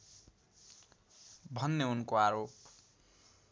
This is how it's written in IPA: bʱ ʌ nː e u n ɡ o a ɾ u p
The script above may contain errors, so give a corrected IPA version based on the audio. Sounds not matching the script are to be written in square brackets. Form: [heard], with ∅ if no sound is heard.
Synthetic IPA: bʱ ʌ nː e u n [k] o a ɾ [o] p